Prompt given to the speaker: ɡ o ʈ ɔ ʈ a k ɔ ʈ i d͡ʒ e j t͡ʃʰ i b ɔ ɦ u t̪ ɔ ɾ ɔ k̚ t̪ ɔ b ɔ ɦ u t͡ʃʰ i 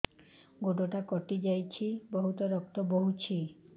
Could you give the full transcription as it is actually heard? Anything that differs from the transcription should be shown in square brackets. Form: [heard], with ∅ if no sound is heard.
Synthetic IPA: ɡ o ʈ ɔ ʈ a k ɔ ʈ i d͡ʒ [a] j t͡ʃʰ i b ɔ ɦ u t̪ ɔ ɾ ɔ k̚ t̪ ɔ b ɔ ɦ u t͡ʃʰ i